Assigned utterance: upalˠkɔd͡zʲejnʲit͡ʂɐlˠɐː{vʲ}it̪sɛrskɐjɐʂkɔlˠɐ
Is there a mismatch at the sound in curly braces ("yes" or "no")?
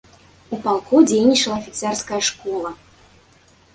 yes